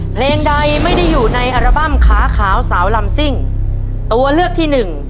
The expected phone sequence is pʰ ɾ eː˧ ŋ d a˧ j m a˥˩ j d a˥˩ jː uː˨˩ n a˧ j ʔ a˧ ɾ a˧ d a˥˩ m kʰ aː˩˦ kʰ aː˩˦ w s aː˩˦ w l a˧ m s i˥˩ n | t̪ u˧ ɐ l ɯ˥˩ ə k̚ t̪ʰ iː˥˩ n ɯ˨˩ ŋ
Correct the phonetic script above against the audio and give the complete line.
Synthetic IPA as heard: pʰ l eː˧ ŋ d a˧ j m a˥˩ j d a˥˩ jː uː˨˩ n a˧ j ʔ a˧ ɾ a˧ b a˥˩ m kʰ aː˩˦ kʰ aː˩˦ w s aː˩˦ w l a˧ m s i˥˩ ŋ | t̪ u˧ ɐ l ɯ˥˩ ə k̚ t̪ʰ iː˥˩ n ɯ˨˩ ŋ